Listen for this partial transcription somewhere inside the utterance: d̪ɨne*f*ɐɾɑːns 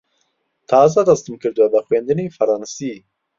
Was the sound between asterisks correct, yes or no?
yes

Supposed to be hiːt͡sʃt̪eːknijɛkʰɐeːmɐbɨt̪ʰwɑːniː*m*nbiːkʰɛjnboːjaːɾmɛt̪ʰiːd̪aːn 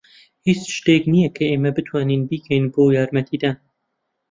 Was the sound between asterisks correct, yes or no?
no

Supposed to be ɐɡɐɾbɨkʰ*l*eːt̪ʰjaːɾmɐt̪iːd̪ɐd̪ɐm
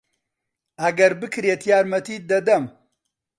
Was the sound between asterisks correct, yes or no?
no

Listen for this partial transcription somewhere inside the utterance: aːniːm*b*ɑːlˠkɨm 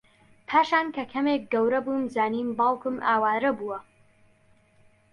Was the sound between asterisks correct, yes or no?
yes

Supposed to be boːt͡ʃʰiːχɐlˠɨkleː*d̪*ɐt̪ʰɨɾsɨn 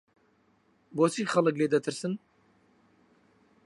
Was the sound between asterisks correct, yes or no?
yes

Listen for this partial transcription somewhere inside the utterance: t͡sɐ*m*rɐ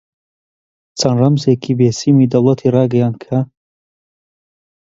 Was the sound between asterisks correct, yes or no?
no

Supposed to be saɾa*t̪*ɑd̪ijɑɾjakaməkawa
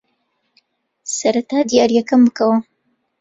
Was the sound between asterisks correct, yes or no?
yes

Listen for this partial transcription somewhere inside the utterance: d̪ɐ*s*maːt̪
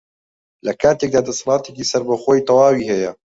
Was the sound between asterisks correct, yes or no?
yes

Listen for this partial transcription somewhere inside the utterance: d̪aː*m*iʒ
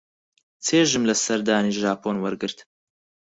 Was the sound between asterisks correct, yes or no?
no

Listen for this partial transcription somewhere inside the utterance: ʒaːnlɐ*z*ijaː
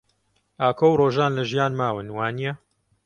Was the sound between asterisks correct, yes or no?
no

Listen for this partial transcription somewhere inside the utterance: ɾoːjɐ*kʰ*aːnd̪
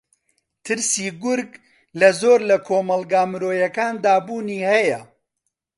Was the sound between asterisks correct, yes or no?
no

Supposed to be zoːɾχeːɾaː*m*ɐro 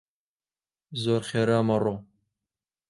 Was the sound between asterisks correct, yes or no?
yes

